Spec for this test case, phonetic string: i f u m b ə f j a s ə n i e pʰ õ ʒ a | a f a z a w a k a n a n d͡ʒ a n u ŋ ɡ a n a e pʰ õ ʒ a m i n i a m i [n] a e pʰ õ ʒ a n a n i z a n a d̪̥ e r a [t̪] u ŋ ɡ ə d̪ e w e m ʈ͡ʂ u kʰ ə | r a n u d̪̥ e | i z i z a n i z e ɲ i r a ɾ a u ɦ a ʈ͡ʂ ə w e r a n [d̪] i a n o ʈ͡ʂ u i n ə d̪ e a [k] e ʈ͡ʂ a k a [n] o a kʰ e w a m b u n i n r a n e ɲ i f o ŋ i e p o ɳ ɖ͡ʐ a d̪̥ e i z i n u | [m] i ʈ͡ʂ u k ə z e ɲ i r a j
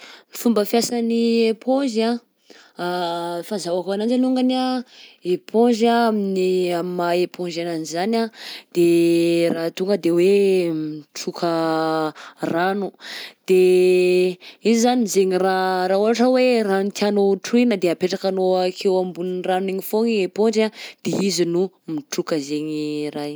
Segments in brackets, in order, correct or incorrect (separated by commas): incorrect, correct, incorrect, incorrect, correct, correct